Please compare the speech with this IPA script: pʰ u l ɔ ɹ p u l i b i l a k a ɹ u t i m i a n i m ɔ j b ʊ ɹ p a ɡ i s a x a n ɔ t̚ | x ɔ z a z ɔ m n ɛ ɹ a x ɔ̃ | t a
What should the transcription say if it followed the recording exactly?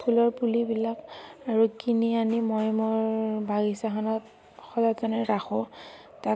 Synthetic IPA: pʰ u l ɔ ɹ p u l i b i l a k a ɹ u k i n i a n i m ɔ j m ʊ ɹ b a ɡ i s a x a n ɔ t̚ | x ɔ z a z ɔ n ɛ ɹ a x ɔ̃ | t a